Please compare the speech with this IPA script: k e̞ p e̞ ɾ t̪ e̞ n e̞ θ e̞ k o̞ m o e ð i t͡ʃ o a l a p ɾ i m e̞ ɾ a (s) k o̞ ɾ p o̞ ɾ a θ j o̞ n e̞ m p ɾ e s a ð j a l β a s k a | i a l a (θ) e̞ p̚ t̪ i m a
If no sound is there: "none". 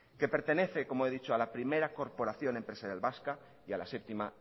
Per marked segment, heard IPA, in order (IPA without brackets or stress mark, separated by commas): none, s